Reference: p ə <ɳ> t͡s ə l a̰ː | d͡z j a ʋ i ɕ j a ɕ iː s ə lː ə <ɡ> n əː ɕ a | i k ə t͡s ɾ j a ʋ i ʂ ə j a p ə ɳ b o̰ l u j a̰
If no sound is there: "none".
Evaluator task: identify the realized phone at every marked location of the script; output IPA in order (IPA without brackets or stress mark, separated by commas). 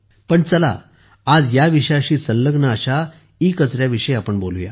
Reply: ɳ, ɡ